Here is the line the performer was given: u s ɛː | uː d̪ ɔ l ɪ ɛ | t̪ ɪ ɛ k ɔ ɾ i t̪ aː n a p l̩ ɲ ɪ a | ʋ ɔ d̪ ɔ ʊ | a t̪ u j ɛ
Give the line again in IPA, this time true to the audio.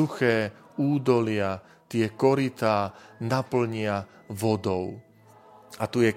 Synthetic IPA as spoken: u x ɛː | uː d̪ ɔ l ɪ a | t̪ ɪ ɛ k ɔ ɾ i t̪ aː n a p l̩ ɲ ɪ a | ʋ ɔ d̪ ɔ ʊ | a t̪ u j ɛ